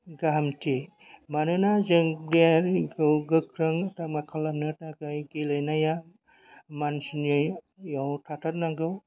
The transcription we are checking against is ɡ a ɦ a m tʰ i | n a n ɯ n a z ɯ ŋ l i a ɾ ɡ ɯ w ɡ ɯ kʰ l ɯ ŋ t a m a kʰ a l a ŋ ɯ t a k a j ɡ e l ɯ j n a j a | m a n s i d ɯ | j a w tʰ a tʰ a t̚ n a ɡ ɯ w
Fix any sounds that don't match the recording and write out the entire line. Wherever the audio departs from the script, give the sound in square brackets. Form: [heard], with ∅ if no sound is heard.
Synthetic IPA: ɡ a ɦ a m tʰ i | [m] a n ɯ n a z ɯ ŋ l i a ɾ ɡ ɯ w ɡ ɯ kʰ [ɾ] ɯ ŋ t a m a kʰ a l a [n] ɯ t a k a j ɡ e l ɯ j n a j a | m a n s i [n] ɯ | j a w tʰ a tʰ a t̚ n a ɡ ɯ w

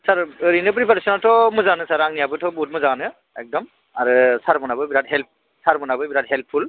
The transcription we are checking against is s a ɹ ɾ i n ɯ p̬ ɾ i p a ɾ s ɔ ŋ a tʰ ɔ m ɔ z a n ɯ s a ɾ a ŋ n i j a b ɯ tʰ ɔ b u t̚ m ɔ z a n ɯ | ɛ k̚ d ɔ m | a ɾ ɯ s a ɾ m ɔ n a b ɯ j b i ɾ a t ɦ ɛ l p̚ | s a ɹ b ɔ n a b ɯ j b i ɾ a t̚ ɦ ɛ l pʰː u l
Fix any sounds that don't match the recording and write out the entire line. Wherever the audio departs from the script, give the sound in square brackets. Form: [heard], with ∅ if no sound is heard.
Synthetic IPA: s a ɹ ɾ i n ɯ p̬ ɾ i p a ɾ s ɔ [n] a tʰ ɔ m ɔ z a n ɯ s a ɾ a ŋ n i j a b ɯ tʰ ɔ b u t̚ m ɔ z a n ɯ | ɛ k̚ d ɔ m | a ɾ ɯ s a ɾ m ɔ n a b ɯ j b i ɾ a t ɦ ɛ l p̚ | s a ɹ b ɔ n a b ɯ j b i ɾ a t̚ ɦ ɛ l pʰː u l

